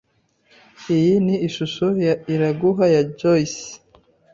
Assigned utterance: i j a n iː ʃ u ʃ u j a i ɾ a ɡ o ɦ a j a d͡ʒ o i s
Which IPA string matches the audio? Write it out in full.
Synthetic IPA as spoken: i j i n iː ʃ u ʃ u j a i ɾ a ɡ u ɦ a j a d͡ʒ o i s

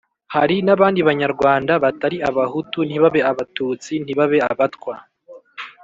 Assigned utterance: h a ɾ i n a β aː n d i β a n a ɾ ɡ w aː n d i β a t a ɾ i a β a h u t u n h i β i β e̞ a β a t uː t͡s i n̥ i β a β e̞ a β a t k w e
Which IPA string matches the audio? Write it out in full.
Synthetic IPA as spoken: h a ɾ i n a β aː n d i β a ɲ a ɾ ɡ w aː n d a β a t a ɾ i a β a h u t u n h i β a β e̞ a β a t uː t͡s i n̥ i β a β e̞ a β a t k w a

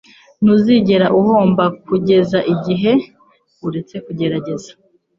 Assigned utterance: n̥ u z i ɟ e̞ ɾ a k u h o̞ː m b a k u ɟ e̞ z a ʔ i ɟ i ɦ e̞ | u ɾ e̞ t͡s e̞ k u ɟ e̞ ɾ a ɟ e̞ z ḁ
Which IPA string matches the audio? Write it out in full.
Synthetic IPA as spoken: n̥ u z i ɟ e̞ ɾ a ʔ u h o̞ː m b a k u ɟ e̞ z a ʔ i ɟ i ɦ e̞ | u ɾ e̞ t͡s e̞ k u ɟ e̞ ɾ a ɟ e̞ z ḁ

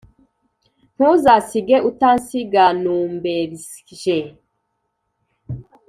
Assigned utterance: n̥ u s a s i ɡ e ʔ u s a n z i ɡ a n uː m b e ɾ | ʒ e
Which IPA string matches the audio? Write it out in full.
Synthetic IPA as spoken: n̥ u z a s i ɡ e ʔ u t a n s i ɡ a n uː m b e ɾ | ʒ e

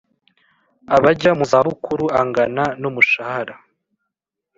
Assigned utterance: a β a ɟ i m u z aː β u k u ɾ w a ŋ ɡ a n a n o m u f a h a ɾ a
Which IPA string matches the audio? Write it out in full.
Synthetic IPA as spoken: a β a ɟ a m u z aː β u k u ɾ u a ŋ ɡ a n a n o m u ʃ a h a ɾ a

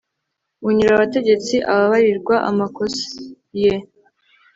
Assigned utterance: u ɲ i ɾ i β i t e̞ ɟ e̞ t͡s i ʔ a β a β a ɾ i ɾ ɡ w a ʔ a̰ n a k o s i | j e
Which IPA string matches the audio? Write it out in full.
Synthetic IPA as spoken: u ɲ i ɾ a β a t e̞ ɟ e̞ t͡s i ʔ a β a β a ɾ i ɾ ɡ w a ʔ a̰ m a k o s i | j e

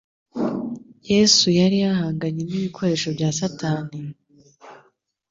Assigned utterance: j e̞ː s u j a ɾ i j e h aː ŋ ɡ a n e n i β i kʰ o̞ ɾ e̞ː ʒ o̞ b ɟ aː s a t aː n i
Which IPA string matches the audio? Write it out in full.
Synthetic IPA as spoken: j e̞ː s u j a ɾ i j a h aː ŋ ɡ a ɲ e n i β i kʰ o̞ ɾ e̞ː ʃ o̞ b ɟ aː s a t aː n i

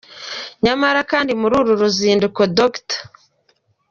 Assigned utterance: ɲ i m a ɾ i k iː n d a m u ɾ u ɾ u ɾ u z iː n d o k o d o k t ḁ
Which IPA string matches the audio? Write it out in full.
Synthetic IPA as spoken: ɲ a m a ɾ a k aː n d i m u ɾ u ɾ u ɾ u z iː n d u k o d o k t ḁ

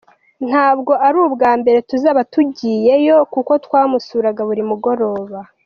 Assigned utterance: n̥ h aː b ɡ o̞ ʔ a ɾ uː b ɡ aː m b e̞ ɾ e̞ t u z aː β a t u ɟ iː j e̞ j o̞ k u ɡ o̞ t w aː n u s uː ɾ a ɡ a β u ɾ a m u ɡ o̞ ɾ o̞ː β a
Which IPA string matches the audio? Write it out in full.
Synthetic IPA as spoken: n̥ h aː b ɡ o̞ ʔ a ɾ uː b ɡ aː m b e̞ ɾ e̞ t u z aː β a t u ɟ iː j e̞ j o̞ k u k o̞ t w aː m u s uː ɾ a ɡ a β u ɾ i m u ɡ o̞ ɾ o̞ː β a

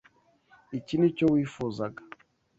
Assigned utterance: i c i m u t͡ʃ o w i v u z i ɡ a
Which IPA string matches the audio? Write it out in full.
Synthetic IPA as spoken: i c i n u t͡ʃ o w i f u z a ɡ a

